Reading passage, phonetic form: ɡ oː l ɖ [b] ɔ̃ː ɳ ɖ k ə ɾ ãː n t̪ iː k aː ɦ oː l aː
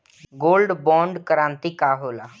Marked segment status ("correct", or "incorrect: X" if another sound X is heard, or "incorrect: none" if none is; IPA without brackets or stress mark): correct